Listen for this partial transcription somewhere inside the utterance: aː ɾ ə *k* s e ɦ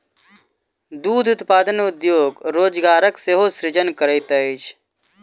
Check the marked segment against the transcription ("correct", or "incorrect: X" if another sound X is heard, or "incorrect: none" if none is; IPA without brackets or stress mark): correct